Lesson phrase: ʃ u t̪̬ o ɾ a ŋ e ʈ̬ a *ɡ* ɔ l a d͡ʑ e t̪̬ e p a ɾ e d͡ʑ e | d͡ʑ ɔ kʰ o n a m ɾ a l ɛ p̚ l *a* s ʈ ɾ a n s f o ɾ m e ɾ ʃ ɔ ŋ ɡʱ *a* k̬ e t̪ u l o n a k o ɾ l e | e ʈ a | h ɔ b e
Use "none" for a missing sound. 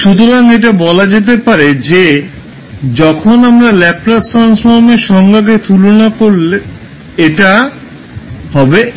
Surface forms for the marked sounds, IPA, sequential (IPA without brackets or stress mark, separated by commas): b, a, a